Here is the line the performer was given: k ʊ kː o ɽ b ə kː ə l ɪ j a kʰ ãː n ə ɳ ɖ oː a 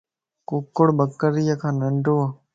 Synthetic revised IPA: k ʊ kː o ɽ b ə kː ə ɾ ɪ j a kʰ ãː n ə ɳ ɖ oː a